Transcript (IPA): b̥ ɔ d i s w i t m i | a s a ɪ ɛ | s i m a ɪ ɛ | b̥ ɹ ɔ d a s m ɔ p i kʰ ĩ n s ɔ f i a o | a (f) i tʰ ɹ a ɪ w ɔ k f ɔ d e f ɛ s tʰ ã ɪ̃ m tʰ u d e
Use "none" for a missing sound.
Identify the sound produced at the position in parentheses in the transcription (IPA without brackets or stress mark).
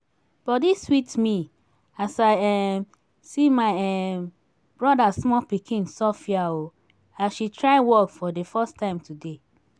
ʃ